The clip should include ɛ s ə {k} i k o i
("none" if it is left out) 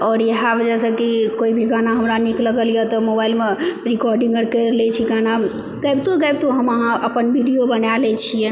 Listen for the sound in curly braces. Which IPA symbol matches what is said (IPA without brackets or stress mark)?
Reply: k